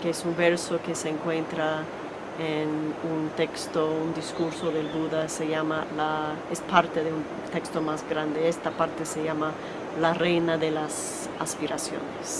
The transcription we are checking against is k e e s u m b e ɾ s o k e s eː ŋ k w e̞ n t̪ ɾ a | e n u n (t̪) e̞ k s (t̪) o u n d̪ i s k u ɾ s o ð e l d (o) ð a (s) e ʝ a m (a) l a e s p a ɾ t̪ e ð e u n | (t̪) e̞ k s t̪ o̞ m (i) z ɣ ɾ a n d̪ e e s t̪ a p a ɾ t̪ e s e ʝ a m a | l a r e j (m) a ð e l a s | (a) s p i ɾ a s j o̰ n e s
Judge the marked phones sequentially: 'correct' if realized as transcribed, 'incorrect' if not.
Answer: correct, correct, incorrect: u, correct, correct, correct, incorrect: a, incorrect: n, correct

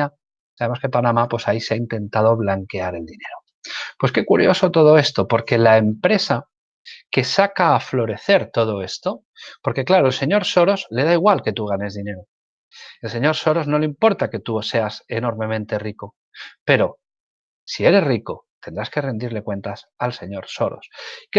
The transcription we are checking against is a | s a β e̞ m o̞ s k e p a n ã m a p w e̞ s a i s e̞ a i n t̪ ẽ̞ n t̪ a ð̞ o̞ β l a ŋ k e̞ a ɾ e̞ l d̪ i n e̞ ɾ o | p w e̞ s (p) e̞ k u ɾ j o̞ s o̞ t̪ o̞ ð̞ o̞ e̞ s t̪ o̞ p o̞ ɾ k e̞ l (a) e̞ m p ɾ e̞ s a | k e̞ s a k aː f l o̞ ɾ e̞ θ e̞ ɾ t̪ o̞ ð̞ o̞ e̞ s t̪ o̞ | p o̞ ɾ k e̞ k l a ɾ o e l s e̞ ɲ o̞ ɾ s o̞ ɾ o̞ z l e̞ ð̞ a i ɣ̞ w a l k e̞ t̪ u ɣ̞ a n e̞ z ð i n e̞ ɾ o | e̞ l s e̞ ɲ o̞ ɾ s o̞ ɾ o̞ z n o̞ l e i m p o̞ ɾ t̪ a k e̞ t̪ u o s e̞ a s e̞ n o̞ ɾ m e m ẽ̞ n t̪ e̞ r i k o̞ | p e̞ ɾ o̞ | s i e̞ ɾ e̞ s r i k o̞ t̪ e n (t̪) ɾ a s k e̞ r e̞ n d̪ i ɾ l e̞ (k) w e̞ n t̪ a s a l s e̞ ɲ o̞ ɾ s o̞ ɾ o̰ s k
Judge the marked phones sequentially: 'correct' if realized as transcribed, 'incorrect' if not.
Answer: incorrect: k, correct, incorrect: d̪, correct

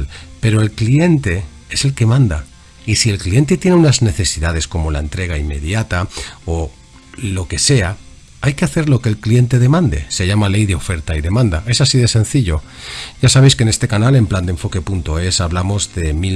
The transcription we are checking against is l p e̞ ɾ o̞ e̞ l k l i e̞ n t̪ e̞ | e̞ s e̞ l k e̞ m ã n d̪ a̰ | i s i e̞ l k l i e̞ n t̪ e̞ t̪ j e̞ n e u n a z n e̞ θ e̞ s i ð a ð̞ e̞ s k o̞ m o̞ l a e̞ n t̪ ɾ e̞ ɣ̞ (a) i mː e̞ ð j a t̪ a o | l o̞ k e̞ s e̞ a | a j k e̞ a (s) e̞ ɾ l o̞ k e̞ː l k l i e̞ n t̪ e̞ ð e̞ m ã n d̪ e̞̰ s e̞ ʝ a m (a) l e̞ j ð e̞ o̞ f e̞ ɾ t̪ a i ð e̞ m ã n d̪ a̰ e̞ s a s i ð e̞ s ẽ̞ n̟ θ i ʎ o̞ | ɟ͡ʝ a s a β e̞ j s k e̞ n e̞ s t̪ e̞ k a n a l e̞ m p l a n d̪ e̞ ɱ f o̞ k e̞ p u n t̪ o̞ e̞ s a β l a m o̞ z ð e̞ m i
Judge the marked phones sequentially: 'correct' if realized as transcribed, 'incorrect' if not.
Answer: correct, incorrect: θ, correct

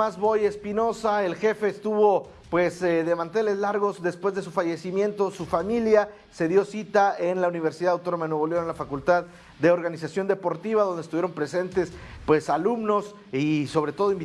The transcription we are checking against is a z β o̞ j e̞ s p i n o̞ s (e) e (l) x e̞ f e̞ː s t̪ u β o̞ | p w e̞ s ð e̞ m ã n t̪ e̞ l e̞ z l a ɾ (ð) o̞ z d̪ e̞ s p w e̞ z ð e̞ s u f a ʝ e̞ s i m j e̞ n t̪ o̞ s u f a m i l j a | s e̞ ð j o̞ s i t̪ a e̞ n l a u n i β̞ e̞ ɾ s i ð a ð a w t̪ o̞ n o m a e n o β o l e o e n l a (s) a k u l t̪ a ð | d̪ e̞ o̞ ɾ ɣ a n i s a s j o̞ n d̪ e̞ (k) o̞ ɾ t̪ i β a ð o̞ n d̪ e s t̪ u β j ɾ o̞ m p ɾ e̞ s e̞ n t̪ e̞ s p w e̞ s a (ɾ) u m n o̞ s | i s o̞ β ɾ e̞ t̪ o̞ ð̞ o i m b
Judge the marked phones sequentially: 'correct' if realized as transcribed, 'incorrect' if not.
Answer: incorrect: a, correct, incorrect: ɣ, incorrect: f, incorrect: p, incorrect: l

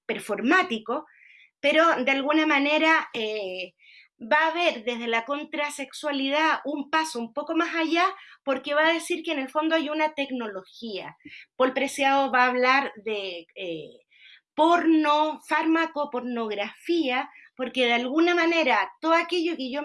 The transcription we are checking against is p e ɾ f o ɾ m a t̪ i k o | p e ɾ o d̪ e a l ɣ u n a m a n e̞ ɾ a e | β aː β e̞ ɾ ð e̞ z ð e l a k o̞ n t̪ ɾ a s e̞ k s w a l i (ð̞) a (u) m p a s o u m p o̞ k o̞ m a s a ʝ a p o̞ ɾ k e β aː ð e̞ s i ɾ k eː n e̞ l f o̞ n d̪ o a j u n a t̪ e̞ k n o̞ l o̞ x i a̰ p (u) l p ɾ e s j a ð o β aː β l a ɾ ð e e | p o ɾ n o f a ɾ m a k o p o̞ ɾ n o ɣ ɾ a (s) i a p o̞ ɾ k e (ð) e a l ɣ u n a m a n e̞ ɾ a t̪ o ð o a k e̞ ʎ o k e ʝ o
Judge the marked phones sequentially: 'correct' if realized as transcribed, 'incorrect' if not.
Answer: correct, correct, incorrect: o, incorrect: f, correct

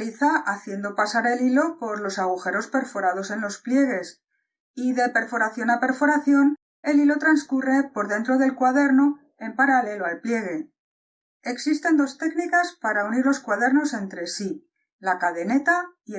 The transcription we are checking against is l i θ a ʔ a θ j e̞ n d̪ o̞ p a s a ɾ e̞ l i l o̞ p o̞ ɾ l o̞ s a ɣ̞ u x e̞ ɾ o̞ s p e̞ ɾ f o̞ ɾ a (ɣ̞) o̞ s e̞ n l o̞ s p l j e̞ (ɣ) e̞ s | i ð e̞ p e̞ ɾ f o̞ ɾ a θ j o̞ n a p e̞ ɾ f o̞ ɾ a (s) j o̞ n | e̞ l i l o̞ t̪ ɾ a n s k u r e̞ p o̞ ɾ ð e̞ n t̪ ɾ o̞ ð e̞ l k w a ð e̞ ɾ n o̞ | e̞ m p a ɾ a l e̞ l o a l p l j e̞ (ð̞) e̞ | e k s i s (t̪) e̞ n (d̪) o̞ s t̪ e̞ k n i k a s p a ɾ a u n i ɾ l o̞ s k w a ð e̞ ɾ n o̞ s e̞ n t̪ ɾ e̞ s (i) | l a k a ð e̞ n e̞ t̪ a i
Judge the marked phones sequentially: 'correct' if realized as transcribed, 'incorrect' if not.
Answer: incorrect: ð̞, correct, incorrect: θ, incorrect: ɣ̞, correct, correct, correct

